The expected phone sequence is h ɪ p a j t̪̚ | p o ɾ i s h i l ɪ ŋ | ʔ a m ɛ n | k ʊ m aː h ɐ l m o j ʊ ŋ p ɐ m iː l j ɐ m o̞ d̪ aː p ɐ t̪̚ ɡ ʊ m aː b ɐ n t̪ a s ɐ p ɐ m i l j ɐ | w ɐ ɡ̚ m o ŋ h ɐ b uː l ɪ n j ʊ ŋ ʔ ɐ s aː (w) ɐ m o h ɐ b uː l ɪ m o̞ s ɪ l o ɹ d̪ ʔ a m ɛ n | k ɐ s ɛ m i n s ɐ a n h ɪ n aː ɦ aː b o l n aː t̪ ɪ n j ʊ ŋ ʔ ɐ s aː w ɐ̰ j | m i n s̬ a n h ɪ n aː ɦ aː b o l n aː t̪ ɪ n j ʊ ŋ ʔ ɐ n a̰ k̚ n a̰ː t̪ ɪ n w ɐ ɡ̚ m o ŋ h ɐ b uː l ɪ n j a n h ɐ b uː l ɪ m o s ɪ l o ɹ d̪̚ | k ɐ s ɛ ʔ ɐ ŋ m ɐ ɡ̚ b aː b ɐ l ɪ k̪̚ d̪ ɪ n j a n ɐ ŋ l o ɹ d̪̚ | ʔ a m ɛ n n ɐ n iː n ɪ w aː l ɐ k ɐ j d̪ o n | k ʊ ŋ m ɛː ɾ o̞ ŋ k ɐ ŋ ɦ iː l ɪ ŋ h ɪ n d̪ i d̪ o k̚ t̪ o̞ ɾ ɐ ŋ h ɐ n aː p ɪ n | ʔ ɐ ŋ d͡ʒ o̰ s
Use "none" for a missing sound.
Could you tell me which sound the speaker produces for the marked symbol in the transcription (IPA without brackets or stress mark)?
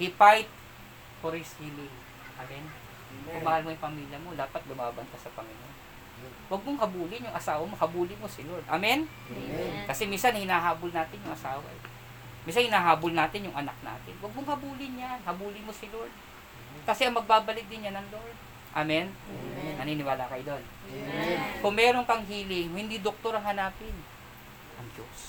w